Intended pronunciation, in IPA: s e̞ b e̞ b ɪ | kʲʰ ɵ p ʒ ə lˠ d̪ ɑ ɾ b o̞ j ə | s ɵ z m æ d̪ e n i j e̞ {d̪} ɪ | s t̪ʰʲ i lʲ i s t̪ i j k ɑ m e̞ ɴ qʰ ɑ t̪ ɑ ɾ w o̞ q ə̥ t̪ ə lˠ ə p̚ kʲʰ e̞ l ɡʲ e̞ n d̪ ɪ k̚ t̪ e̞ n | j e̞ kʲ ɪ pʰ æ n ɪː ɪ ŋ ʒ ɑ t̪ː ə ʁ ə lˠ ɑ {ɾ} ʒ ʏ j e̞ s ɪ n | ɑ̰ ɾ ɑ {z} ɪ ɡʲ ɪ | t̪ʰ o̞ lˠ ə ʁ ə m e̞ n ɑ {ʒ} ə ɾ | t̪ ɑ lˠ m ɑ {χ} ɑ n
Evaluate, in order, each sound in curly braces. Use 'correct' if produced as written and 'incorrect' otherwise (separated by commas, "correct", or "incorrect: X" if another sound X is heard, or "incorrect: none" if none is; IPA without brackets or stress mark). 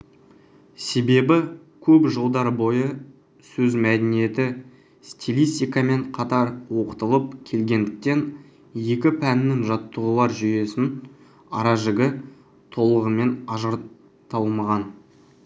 incorrect: t̪, correct, incorrect: ʒ, correct, incorrect: ʁ